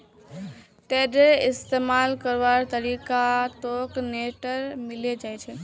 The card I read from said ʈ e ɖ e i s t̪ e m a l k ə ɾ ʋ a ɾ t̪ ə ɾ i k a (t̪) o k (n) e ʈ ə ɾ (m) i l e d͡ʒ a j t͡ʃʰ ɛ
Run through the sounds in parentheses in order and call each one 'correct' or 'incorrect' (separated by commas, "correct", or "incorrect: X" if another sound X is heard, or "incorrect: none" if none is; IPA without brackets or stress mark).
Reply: correct, correct, correct